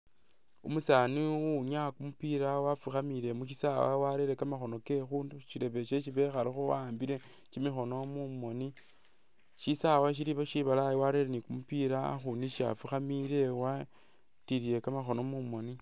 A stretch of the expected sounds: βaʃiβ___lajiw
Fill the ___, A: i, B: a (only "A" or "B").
B